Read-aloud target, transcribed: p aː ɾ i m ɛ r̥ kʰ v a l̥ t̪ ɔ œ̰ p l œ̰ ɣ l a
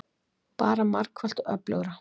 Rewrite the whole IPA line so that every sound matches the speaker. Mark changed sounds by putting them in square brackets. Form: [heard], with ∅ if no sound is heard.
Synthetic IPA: p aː ɾ [a] m [a] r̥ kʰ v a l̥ t̪ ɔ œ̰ p l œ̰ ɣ [ɾ] a